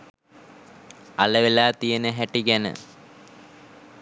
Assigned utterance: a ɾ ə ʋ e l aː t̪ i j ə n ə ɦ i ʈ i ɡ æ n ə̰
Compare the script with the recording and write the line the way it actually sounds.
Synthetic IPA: a l ə ʋ e l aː t̪ i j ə n ə ɦ æ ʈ i ɡ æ n ə̰